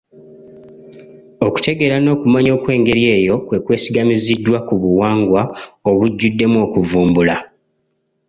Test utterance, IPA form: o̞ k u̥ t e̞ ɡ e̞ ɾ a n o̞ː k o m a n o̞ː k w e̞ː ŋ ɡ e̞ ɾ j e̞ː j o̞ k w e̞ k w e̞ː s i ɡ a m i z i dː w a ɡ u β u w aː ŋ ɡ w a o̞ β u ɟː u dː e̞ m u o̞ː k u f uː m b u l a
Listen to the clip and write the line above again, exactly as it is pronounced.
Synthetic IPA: o̞ k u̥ t e̞ ɡ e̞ ɾ a n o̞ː k u m a ɲ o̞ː k w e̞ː ŋ ɡ e̞ ɾ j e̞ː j o̞ k w e̞ k w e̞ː s i ɡ a m i z i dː w a k u β u w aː ŋ ɡ w a o̞ β u ɟː u dː e̞ m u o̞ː k u v uː m b u l a